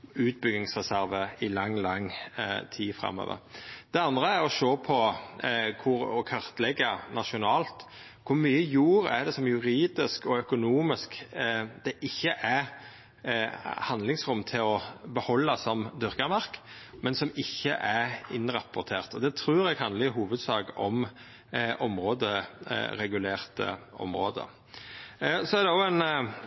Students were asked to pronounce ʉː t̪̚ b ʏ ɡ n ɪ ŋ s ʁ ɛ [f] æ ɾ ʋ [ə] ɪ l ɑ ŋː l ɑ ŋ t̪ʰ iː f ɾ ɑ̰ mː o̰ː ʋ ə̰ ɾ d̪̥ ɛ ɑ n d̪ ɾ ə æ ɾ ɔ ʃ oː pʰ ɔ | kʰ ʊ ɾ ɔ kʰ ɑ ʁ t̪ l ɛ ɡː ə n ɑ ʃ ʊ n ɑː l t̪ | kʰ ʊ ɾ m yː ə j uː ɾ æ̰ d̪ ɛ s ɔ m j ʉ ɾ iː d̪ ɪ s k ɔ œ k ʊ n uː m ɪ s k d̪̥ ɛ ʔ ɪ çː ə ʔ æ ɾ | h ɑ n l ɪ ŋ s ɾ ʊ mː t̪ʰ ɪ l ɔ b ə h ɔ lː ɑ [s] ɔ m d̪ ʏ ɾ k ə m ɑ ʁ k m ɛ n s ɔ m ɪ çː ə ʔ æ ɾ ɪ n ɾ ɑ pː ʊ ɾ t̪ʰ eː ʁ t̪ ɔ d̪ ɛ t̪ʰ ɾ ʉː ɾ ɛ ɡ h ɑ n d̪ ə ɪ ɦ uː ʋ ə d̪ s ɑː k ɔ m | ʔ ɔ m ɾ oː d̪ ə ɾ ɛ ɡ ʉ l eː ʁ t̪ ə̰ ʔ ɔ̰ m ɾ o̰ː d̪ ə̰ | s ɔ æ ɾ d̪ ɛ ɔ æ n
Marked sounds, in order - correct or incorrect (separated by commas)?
incorrect, correct, correct